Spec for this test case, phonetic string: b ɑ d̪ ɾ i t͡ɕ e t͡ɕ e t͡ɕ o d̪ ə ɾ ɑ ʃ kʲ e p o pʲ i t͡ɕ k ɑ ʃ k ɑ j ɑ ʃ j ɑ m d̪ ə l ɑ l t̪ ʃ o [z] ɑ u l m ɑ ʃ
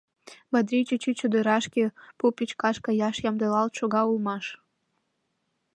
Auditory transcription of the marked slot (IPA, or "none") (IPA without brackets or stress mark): ɣ